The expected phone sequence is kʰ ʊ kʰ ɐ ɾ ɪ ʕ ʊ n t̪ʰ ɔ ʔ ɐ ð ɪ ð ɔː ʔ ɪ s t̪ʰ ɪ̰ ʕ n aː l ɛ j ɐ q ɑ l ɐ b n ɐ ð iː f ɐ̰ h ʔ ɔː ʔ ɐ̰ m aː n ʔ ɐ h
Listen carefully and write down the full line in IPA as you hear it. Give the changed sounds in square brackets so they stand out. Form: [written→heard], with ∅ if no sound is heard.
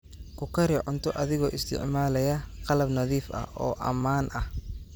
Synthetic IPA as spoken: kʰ ʊ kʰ ɐ ɾ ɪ ʕ ʊ n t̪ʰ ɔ ʔ ɐ ð ɪ [ð→ɣ] ɔː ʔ ɪ s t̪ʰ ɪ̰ ʕ [n→m] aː l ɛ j ɐ q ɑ l ɐ b n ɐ ð iː f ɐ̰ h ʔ ɔː ʔ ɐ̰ m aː n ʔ ɐ h